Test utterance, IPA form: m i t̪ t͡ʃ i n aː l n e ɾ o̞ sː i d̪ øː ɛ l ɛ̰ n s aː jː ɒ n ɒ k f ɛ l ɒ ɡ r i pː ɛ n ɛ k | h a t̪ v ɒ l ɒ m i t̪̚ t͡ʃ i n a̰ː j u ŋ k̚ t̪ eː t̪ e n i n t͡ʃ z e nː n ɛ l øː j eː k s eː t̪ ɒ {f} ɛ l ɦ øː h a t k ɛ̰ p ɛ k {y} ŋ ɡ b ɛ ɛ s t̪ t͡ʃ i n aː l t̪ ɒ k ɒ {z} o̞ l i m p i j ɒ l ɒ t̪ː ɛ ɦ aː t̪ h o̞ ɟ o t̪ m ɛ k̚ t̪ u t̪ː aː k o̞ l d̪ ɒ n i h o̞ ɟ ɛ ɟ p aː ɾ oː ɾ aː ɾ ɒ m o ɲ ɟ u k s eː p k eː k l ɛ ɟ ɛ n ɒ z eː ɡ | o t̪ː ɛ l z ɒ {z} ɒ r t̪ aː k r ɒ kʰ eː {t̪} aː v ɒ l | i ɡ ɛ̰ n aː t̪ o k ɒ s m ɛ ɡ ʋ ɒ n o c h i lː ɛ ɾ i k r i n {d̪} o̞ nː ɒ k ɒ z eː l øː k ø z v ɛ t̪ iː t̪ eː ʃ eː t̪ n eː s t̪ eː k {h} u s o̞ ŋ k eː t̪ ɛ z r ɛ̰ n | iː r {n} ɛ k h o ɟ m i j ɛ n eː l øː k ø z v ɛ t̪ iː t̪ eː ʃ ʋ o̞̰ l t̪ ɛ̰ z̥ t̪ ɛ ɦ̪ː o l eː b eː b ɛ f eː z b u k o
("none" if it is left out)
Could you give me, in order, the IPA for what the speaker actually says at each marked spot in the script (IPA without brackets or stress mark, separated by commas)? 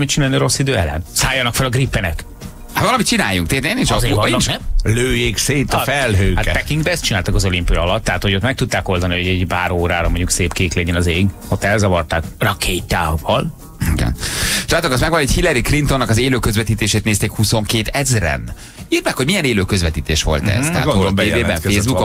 f, i, z, v, t̪, t̪, h, m